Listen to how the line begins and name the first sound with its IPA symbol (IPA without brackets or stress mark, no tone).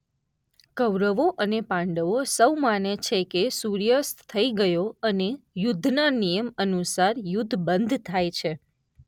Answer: k